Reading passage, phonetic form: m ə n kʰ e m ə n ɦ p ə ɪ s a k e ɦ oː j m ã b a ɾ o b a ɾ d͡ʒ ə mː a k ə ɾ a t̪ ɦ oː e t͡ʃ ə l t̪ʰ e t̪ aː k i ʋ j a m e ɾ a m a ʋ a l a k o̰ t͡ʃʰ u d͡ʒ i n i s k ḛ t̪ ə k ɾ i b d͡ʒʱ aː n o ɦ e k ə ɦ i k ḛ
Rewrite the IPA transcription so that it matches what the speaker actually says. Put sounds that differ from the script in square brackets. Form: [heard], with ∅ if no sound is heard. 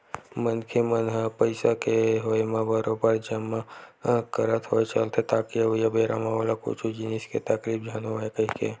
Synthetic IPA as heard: m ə n kʰ e m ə n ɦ p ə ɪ s a k e ɦ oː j m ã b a ɾ o b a ɾ d͡ʒ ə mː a k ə ɾ [ə] t̪ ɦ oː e t͡ʃ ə l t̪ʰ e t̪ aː k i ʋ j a [b] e ɾ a m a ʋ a l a k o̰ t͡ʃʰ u d͡ʒ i n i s k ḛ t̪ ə k ɾ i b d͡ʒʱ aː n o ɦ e k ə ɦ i k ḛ